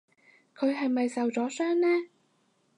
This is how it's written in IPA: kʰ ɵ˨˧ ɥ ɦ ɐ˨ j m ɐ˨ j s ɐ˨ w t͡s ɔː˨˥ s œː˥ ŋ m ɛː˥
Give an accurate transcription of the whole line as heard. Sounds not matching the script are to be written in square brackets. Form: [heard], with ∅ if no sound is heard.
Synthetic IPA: kʰ ɵ˨˧ ɥ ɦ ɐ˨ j m ɐ˨ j s ɐ˨ w t͡s ɔː˨˥ s œː˥ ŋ [n] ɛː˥